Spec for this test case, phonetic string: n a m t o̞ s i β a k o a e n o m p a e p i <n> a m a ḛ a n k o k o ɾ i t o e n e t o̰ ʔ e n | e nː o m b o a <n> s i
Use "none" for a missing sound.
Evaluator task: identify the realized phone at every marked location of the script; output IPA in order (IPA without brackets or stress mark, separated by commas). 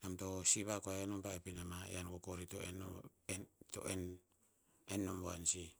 n, n